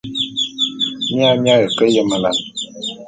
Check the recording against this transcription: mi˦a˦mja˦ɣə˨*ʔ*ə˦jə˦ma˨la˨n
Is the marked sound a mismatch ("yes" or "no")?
yes